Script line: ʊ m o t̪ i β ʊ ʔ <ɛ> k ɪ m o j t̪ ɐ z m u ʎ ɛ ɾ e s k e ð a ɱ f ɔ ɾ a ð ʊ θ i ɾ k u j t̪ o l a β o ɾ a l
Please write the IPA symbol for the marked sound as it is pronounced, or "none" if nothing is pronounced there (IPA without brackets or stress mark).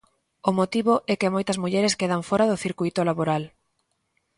ɛ